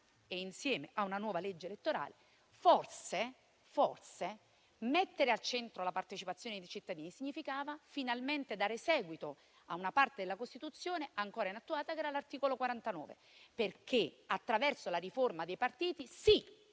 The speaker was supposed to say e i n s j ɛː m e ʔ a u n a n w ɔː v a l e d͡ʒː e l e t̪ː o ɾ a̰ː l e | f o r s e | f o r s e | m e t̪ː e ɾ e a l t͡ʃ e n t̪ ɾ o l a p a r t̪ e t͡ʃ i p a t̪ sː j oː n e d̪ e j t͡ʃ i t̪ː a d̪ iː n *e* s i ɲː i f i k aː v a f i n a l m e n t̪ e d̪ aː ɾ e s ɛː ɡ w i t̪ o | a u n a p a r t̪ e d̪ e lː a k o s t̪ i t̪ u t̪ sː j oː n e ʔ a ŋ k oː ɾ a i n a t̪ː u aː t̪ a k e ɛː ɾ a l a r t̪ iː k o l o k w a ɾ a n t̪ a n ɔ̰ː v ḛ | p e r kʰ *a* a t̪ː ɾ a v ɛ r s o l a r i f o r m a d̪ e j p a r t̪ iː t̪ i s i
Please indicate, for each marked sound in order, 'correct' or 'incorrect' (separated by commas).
incorrect, incorrect